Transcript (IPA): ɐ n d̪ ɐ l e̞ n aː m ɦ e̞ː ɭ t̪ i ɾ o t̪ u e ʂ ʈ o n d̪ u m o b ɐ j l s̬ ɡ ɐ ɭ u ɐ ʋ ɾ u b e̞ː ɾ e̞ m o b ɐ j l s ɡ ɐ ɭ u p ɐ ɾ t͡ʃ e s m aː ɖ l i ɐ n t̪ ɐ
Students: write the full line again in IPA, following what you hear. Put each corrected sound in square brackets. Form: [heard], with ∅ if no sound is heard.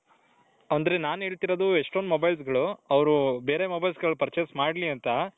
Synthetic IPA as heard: ɐ n d̪ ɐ [ɾ] e̞ n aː [n] ɦ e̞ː ɭ t̪ i ɾ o [d̪] u e ʂ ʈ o n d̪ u m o b ɐ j l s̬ ɡ ɐ ɭ u ɐ ʋ ɾ u b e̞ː ɾ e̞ m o b ɐ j l s ɡ ɐ ɭ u p ɐ ɾ t͡ʃ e s m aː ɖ l i ɐ n t̪ ɐ